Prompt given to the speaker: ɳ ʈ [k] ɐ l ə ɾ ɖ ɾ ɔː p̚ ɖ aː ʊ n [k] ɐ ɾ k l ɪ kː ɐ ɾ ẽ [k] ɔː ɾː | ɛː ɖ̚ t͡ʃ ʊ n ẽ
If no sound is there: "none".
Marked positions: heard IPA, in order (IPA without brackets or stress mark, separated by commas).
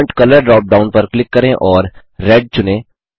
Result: k, p, ʔ